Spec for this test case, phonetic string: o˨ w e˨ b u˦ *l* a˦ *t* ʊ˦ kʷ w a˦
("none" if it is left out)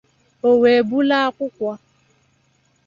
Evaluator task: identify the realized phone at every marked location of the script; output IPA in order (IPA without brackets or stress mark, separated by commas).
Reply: l, k